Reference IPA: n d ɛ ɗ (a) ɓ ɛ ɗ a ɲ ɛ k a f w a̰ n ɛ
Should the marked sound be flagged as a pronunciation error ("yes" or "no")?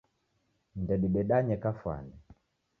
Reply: yes